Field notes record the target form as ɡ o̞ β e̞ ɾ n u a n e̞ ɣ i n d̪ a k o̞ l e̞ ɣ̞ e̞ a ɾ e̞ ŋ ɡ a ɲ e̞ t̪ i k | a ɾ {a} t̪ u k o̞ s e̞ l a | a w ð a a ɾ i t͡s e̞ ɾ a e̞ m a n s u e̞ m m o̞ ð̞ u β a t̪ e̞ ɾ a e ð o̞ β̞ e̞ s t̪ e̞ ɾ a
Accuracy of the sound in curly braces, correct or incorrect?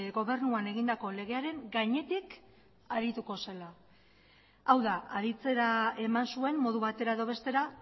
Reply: incorrect